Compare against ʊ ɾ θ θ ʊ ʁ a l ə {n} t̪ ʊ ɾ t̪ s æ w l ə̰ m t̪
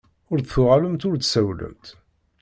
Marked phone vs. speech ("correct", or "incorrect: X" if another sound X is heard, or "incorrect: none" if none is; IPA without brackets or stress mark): incorrect: m